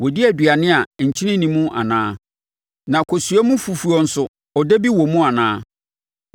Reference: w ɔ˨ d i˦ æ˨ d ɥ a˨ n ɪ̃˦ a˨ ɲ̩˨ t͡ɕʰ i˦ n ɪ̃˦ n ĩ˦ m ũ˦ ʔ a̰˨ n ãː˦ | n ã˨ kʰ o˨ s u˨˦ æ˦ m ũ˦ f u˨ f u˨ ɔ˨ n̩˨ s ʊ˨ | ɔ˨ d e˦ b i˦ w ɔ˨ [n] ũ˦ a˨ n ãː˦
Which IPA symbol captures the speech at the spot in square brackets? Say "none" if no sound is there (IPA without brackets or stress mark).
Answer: m